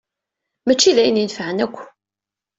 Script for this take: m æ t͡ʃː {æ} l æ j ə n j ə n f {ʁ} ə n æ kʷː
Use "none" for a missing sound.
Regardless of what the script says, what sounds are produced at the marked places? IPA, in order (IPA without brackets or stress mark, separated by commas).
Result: i, ʕ